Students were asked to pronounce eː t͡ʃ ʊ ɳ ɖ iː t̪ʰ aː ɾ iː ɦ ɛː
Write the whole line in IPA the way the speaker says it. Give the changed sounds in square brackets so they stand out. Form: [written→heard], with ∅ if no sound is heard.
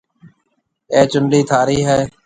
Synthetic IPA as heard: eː t͡ʃ ʊ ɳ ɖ iː t̪ʰ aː ɾ iː ɦ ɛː